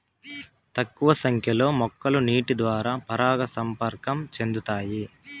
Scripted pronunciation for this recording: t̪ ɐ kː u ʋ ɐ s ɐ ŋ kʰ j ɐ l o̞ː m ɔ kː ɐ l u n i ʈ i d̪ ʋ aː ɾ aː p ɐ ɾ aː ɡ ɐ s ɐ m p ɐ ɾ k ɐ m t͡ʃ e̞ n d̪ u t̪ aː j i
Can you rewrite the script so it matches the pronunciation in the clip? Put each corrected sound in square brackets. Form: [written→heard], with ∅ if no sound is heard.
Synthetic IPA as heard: t̪ ɐ kː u ʋ ɐ s ɐ ŋ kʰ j ɐ l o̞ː m ɔ kː ɐ l u n [i→iː] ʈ i d̪ ʋ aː ɾ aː p ɐ ɾ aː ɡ ɐ s ɐ m p ɐ ɾ k ɐ m t͡ʃ e̞ n d̪ u t̪ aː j i